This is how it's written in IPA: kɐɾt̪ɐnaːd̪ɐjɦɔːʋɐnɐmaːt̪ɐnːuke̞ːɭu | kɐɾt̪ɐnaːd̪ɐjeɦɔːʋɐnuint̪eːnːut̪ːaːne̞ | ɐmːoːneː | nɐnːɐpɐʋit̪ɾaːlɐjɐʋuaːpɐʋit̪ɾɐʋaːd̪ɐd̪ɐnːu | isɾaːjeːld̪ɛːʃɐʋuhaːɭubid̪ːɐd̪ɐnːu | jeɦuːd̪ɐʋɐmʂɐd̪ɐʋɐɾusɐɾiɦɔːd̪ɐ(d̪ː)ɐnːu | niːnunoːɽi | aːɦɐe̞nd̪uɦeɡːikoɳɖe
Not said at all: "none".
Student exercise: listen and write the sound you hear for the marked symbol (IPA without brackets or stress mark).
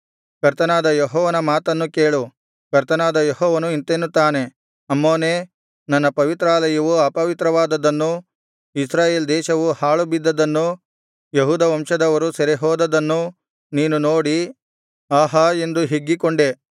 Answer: d̪